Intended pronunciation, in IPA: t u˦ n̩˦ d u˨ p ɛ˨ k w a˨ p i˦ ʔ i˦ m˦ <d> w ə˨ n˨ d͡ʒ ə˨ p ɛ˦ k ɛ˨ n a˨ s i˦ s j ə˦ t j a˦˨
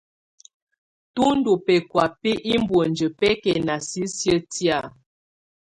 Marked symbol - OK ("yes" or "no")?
no